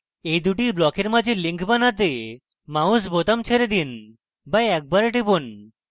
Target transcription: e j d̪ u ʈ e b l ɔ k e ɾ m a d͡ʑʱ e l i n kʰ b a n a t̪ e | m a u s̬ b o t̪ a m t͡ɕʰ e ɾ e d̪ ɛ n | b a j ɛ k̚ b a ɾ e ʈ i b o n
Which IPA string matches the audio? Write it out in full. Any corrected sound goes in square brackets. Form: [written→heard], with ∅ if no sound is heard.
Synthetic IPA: e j d̪ u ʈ [e→i] b l ɔ k e ɾ m a d͡ʑʱ e l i [n→ŋ] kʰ b a n a t̪ e | m a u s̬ b o t̪ a m t͡ɕʰ e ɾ e d̪ [ɛ→i] n | b a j ɛ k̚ b a ɾ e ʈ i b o n